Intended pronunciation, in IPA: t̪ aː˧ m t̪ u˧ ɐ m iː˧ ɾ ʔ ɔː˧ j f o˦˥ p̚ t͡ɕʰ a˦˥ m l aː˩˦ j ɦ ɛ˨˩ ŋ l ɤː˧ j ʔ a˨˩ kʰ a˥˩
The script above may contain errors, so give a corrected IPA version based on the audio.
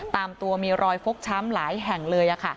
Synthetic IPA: t̪ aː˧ m t̪ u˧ ɐ m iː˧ ɾ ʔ ɔː˧ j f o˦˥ k̚ t͡ɕʰ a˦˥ m l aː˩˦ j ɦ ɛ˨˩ ŋ l ɤː˧ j ʔ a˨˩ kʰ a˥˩